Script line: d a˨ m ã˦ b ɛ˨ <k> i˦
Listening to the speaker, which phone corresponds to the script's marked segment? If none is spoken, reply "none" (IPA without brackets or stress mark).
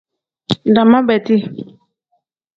t